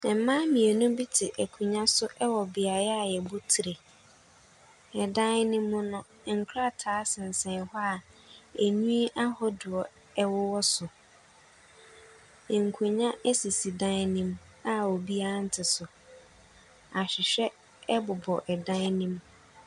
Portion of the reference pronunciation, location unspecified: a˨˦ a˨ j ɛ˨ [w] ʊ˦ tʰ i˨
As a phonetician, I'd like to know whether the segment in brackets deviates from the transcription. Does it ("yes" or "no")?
yes